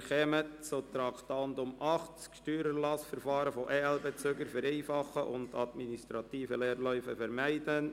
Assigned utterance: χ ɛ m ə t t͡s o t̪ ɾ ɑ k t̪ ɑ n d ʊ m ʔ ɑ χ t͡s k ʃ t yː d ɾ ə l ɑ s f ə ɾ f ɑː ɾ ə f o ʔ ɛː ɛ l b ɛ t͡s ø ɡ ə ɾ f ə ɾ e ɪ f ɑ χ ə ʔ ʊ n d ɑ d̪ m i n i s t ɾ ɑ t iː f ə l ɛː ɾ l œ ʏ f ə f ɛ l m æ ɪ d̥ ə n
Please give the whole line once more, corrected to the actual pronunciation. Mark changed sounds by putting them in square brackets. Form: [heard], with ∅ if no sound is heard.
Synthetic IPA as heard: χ ɛ m ə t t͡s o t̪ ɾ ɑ k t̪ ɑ n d ʊ m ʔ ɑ χ t͡s k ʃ t yː [∅] ɾ ə l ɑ s f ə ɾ f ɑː ɾ ə f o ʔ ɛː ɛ l b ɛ t͡s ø ɡ ə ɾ f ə ɾ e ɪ f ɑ χ ə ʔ ʊ n d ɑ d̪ m i n i s t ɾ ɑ t iː f ə l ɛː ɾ l œ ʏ f ə f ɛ [ɾ] m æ ɪ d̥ ə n